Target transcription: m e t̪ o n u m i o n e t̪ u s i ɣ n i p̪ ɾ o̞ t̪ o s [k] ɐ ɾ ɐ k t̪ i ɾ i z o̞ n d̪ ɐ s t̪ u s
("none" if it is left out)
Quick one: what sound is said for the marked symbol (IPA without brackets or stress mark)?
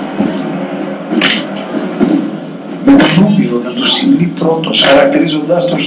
x